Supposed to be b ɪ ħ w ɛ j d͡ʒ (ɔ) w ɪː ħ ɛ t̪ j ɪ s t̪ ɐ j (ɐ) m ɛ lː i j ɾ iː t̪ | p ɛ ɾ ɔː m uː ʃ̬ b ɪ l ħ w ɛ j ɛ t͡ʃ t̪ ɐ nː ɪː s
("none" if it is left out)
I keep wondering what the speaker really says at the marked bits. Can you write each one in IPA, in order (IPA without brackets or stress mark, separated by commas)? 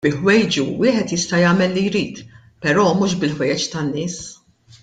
u, ɐː